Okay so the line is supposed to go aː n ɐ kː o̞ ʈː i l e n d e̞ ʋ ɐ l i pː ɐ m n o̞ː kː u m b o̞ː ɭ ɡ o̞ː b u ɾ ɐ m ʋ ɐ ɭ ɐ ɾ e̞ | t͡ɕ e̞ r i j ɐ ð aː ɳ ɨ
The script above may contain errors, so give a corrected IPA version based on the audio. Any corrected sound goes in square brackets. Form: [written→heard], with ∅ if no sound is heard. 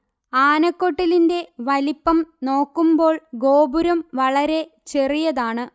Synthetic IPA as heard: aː n ɐ kː o̞ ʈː i l [e→i] n d e̞ ʋ ɐ l i pː ɐ m n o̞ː kː u m b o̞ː ɭ ɡ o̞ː b u ɾ ɐ m ʋ ɐ ɭ ɐ ɾ e̞ | t͡ɕ e̞ r i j ɐ ð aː ɳ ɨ